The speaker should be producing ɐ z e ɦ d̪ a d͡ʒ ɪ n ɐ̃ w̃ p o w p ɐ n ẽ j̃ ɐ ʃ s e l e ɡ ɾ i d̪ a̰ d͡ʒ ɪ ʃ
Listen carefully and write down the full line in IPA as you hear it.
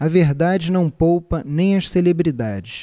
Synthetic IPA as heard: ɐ v e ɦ d̪ a d͡ʒ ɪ n ɐ̃ w̃ p o w p ɐ n ẽ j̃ ɐ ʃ s e l e b ɾ i d̪ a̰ d͡ʒ ɪ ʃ